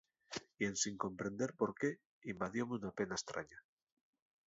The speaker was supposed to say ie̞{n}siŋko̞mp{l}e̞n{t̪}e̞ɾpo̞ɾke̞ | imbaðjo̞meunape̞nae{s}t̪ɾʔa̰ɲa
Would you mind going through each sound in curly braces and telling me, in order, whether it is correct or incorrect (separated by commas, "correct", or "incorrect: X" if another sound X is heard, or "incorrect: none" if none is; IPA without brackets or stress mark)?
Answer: correct, incorrect: ɾ, incorrect: d̪, correct